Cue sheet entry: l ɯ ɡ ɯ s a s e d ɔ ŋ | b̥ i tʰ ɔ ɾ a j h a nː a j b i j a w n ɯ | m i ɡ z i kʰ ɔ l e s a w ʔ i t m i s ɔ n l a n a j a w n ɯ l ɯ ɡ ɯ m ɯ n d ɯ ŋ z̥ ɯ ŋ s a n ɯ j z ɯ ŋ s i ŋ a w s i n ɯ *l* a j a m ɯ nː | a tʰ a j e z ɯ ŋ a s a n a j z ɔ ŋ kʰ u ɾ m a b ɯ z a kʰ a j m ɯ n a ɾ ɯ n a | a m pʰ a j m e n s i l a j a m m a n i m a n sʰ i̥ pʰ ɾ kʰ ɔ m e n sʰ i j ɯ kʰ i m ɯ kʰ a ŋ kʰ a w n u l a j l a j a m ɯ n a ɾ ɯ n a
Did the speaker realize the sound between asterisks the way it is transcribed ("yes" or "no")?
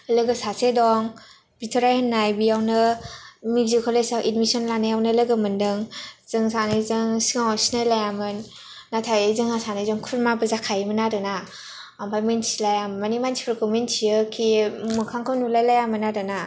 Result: yes